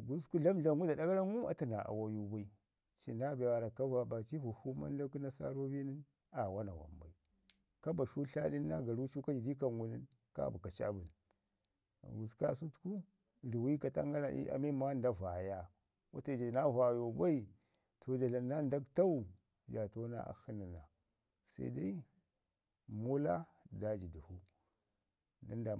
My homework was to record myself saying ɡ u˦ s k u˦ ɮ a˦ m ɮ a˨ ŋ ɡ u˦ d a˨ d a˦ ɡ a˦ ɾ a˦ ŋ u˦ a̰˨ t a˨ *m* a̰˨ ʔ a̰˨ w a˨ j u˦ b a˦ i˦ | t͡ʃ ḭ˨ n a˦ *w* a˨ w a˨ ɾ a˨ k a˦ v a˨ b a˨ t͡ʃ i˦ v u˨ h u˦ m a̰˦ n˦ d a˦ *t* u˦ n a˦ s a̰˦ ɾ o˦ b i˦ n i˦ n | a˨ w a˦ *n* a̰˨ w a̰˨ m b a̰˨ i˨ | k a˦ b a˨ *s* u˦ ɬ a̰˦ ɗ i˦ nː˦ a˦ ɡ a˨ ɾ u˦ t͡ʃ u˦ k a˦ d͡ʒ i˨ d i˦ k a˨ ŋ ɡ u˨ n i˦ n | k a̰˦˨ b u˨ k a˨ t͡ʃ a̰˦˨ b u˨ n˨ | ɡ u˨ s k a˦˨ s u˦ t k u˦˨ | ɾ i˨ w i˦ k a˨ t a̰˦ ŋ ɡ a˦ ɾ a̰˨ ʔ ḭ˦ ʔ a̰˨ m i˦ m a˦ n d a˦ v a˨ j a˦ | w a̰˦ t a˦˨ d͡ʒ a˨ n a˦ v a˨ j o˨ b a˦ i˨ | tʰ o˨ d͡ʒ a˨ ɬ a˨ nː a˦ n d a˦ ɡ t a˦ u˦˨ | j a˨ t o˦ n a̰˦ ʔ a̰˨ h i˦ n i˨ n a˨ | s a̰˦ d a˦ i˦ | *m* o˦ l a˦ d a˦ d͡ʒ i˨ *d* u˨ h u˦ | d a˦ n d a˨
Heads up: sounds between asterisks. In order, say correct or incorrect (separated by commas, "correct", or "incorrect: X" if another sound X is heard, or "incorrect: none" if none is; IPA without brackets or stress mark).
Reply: incorrect: n, incorrect: b, incorrect: k, correct, incorrect: ʃ, correct, correct